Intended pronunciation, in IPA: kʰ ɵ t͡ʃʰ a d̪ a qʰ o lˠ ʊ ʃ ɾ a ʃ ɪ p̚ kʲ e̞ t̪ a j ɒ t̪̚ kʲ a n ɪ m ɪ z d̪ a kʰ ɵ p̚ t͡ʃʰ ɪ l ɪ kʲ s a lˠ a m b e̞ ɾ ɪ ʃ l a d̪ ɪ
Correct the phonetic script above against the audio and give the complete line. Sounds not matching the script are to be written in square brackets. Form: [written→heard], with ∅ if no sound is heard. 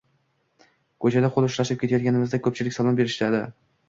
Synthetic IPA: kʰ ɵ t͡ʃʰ a d̪ a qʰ o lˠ ʊ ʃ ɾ a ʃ ɪ p̚ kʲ e̞ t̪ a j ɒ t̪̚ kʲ a n ɪ m ɪ z d̪ a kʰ ɵ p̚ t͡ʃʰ ɪ l ɪ kʲ s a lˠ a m b e̞ ɾ ɪ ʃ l a d̪ ɪ